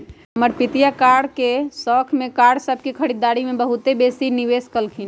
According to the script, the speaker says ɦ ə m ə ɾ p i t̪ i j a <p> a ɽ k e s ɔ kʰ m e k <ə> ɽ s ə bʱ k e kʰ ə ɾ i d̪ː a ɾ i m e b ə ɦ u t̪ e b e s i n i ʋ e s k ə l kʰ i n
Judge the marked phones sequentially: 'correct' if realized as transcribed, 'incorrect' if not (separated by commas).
incorrect, incorrect